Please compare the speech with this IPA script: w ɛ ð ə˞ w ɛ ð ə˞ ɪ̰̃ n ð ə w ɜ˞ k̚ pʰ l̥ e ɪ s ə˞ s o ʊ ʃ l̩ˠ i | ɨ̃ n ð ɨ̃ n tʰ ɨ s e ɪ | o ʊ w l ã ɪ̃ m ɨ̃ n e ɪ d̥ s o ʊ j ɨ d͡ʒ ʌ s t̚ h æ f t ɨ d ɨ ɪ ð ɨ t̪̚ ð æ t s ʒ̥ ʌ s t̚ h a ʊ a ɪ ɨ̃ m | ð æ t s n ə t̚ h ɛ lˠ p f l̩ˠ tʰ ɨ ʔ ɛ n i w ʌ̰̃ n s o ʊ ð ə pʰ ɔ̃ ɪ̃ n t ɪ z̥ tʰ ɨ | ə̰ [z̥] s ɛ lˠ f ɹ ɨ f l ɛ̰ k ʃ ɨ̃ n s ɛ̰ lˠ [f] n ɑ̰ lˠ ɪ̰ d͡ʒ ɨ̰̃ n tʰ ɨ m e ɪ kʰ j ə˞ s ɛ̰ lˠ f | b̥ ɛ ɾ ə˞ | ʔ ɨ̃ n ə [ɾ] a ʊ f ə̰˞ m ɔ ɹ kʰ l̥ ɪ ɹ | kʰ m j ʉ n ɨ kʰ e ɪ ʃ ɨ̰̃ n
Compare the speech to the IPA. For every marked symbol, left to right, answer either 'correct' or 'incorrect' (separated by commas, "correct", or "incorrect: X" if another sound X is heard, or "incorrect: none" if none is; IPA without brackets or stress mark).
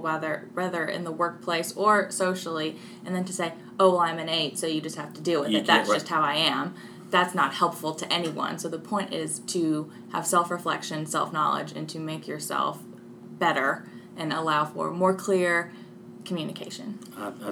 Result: incorrect: v̥, correct, incorrect: l